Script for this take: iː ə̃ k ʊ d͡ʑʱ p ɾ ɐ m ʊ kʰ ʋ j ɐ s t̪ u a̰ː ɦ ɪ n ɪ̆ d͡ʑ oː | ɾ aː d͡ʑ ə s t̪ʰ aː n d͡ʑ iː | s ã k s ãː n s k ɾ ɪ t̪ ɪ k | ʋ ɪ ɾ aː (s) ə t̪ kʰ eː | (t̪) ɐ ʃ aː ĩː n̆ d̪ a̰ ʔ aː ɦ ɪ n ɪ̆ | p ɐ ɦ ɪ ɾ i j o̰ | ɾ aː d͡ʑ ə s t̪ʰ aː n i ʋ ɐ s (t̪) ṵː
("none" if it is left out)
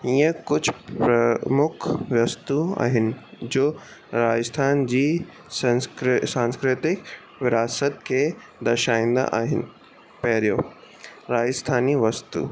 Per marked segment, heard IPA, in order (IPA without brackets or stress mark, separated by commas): s, d̪, t̪